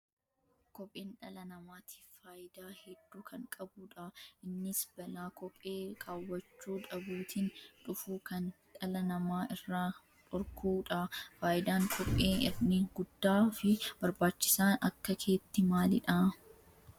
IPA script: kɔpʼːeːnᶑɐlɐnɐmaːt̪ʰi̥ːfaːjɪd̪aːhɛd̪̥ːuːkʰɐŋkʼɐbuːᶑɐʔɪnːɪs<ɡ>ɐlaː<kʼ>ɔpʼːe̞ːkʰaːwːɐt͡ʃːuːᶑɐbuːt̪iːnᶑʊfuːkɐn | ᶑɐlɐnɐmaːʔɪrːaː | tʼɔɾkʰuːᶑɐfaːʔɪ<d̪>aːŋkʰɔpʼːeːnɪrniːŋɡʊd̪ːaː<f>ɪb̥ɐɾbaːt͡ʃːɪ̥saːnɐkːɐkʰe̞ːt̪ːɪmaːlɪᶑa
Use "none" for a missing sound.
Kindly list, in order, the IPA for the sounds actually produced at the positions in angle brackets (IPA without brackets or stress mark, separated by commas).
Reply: b, k, d̪, f